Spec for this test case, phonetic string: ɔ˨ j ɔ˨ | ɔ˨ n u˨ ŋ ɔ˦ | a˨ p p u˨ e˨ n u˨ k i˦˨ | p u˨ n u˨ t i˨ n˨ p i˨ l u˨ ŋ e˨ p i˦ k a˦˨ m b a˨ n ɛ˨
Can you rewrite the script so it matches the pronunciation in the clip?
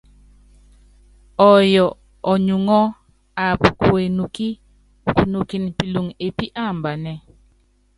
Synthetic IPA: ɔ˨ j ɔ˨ | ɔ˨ ɲ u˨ ŋ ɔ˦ | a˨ p k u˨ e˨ n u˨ k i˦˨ | k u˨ n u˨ k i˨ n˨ p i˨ l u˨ ŋ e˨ p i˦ ʔ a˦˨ m b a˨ n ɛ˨

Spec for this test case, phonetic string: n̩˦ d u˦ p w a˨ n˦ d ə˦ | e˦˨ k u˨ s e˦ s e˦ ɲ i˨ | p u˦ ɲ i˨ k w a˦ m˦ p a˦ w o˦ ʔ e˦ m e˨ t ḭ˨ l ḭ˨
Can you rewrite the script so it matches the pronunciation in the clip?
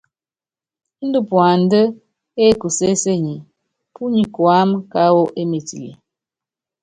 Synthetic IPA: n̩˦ d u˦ p w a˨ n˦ d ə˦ | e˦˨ k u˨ s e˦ s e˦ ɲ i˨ | p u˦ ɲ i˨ k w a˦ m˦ k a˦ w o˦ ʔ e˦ m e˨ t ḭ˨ l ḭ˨

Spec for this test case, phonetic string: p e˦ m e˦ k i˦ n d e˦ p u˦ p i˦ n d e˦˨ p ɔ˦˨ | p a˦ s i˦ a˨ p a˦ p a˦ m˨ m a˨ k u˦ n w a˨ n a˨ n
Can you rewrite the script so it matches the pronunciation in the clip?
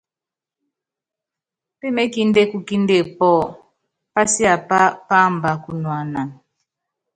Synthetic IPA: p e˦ m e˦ k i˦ n d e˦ k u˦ k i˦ n d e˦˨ p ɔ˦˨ | p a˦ s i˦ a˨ p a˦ p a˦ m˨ b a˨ k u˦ n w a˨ n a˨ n

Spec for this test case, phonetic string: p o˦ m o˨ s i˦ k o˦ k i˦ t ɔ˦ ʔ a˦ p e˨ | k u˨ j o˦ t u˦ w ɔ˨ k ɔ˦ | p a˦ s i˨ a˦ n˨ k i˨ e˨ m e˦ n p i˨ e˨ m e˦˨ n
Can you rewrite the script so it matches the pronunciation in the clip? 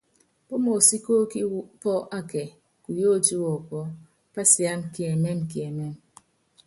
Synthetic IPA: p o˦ m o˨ s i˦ k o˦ k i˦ p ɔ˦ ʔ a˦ k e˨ | k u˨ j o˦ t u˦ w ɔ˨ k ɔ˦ | p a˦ s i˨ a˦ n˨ k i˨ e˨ m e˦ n k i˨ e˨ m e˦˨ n

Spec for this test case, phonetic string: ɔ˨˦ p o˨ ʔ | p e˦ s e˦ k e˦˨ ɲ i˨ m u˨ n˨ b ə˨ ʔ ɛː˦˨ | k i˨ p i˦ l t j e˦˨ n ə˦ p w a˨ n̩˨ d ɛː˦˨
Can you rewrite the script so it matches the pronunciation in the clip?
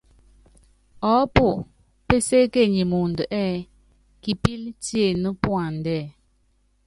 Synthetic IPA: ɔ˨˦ p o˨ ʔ | p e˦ s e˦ k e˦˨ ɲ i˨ m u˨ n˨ d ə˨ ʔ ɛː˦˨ | k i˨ p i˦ l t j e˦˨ n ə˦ p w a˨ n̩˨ d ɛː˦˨

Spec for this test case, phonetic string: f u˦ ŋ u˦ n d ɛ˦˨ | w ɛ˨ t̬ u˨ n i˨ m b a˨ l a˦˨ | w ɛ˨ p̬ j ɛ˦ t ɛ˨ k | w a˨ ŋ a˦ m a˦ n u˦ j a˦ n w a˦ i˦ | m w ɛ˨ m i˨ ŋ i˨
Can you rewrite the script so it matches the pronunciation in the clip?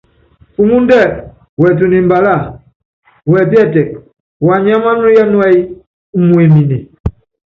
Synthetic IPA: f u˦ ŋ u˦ n d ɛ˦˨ | w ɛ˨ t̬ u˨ n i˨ m b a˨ l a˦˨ | w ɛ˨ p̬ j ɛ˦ t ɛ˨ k | w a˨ ɲ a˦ m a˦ n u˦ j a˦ n w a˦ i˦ | m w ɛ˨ m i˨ n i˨

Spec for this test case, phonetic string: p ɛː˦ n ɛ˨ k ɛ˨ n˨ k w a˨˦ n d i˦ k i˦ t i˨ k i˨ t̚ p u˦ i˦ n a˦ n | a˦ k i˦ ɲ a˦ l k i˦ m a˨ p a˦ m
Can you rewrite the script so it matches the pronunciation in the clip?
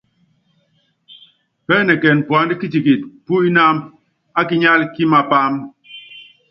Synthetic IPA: p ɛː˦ n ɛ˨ k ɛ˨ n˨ p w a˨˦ n d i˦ k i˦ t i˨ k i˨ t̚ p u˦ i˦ n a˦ m | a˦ k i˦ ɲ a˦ l k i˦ m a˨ p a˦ m

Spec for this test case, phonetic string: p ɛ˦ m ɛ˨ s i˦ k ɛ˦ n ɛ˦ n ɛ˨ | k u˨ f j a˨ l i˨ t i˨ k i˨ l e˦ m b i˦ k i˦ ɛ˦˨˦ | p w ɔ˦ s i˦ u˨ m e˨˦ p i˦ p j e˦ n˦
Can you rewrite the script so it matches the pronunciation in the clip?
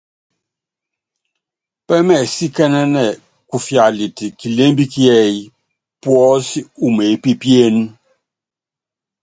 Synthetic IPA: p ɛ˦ m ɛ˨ s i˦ k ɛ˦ n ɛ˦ n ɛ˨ | k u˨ f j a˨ l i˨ t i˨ k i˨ l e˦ m b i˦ k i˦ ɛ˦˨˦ | p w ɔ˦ s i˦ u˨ m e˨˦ p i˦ p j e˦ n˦

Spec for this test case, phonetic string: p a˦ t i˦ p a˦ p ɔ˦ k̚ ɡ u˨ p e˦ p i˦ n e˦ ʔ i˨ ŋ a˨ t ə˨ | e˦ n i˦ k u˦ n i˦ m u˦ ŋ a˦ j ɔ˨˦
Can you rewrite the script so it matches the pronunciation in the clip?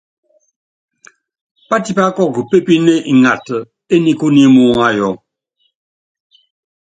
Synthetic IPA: p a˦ t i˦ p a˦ k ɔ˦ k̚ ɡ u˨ p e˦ p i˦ n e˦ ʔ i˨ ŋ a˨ t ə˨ | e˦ n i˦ k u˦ n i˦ m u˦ ŋ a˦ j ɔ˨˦

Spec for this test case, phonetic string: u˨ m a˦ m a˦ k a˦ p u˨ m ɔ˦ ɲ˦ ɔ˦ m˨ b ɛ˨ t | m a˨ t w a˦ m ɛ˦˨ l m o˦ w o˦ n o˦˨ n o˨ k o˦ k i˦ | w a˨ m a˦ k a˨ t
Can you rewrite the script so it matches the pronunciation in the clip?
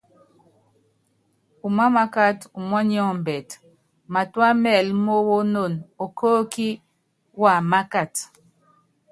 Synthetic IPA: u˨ m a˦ m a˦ k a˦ t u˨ m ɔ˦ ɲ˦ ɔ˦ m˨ b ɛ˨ t | m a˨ t w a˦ m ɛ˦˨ l m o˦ w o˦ n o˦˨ n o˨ k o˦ k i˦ | w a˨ m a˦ k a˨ t

